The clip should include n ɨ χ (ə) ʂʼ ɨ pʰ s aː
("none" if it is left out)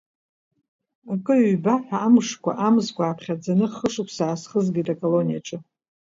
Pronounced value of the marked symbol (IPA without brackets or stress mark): ə